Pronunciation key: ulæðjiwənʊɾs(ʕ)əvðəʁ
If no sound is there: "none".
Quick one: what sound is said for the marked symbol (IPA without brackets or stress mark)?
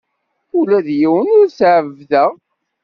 ʕ